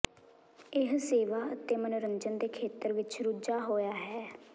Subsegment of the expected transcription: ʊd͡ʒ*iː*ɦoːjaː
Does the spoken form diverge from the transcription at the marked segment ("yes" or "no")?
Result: yes